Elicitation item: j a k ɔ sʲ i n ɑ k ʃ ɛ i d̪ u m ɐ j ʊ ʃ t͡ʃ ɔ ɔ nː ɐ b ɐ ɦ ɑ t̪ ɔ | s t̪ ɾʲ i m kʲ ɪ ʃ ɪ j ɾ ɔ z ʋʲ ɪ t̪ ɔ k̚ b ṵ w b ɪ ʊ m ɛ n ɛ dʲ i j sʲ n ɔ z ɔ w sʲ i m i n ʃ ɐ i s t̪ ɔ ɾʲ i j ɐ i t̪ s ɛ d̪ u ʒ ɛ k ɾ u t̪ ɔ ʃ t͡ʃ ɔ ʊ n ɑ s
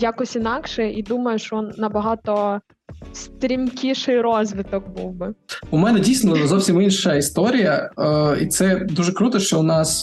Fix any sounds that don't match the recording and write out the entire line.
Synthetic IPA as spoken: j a k ɔ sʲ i n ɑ k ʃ ɛ i d̪ u m ɐ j ʊ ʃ t͡ʃ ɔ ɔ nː ɐ b ɐ ɦ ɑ t̪ ɔ | s t̪ ɾʲ i m kʲ i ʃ ɪ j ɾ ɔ z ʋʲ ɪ t̪ ɔ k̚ b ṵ w b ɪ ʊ m ɛ n ɛ dʲ i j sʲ n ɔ z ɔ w sʲ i m i n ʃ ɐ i s t̪ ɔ ɾʲ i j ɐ i t̪ s ɛ d̪ u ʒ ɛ k ɾ u t̪ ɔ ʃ t͡ʃ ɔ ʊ n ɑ s